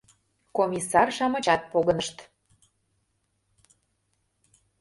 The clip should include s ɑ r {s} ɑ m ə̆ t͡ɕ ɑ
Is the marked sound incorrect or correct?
incorrect: ʃ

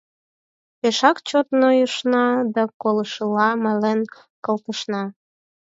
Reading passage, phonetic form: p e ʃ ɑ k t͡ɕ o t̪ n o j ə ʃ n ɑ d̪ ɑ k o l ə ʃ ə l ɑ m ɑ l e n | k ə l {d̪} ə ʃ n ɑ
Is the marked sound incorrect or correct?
incorrect: t̪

